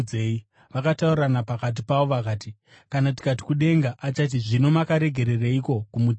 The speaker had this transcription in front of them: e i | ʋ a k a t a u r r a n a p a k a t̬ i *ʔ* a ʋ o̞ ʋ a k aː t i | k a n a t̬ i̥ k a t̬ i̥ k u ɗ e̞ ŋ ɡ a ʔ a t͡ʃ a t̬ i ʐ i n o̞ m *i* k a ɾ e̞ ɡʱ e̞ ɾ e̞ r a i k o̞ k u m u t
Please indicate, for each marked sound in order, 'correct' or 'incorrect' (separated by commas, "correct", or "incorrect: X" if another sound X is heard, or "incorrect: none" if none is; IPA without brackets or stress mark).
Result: incorrect: p, incorrect: a